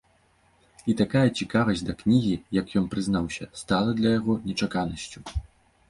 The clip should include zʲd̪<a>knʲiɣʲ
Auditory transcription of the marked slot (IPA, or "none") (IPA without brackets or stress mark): ɐ